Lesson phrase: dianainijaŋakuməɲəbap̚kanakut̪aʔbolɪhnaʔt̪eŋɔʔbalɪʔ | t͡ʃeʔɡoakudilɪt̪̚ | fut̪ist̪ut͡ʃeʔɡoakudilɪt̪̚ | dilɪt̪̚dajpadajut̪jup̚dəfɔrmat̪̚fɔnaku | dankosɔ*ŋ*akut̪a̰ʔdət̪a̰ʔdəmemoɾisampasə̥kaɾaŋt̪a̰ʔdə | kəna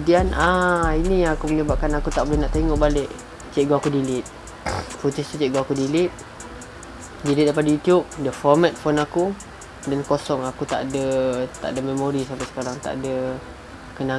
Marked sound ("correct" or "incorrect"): correct